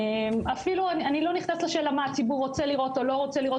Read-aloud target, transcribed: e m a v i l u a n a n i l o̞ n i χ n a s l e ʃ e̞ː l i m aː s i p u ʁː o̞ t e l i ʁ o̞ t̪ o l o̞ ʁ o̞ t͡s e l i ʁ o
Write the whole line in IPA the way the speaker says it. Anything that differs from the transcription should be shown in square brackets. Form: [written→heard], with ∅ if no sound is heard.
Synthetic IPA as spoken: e m a [v→f] i l u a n a n i l o̞ n i χ n a s l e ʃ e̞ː l [i→a] m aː [s→t͡s] i [p→b] u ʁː o̞ [t→t͡s] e l i ʁ o̞ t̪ o l o̞ ʁ o̞ t͡s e l i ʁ o